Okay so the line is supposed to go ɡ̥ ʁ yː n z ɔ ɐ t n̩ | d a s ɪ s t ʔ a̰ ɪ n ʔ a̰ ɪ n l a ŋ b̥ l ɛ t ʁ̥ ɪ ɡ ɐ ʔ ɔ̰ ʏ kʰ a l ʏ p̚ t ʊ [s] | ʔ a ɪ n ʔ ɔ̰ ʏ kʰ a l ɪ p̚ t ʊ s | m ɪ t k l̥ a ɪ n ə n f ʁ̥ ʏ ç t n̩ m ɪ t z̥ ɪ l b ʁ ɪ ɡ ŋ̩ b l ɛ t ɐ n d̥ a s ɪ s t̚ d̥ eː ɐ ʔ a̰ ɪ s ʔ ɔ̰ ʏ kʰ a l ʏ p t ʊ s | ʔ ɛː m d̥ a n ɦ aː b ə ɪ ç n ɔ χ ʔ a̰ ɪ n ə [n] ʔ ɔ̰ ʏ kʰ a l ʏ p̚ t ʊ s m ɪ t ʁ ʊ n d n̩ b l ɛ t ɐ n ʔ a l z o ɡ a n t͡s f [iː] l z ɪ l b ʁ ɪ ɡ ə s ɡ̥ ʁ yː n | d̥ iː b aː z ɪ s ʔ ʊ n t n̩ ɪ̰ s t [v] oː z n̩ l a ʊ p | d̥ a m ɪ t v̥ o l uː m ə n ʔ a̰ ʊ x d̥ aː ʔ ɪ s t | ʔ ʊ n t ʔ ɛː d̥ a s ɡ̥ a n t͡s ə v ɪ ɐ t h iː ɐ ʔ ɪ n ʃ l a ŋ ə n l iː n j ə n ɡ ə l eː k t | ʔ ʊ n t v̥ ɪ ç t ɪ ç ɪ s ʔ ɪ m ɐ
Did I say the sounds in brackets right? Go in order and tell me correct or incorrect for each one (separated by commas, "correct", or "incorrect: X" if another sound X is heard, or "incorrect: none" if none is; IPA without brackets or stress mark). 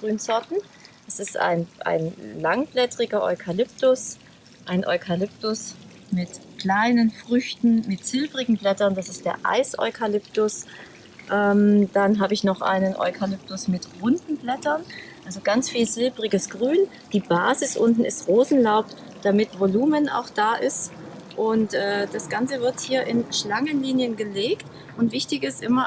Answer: correct, correct, correct, incorrect: ʁ